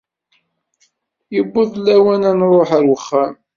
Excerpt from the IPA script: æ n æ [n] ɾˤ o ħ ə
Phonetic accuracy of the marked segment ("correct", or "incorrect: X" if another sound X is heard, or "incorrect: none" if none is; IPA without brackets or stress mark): correct